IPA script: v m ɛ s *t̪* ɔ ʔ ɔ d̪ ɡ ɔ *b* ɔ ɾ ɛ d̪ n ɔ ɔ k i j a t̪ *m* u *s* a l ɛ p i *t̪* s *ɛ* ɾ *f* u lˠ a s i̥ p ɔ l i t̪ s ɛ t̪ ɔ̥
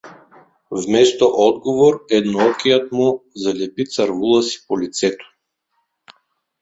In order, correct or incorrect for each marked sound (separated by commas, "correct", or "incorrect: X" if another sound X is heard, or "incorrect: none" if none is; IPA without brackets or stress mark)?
correct, incorrect: v, correct, incorrect: z, correct, incorrect: a, incorrect: v